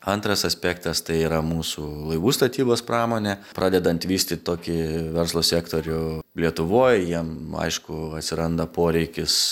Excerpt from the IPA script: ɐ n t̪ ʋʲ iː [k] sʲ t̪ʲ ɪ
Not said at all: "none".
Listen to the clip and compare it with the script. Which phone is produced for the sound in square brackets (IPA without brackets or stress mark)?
none